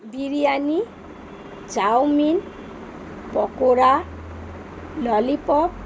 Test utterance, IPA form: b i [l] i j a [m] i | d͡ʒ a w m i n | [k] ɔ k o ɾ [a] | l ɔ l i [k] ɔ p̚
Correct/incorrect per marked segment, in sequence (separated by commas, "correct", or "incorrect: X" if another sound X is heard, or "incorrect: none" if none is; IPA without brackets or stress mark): incorrect: ɾ, incorrect: n, incorrect: p, correct, incorrect: p